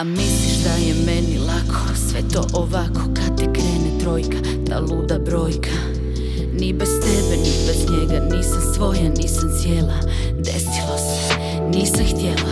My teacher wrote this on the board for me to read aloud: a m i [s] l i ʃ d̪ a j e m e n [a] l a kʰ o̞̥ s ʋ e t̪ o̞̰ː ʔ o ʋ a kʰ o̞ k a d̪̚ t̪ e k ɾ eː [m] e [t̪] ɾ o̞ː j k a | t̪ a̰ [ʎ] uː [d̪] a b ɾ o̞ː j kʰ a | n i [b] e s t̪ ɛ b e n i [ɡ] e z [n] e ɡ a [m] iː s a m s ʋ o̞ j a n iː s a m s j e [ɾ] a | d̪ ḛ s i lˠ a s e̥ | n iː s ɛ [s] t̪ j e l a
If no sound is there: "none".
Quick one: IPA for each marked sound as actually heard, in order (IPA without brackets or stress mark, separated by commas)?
s, i, n, t̪, l, d̪, b, b, ɲ, n, l, x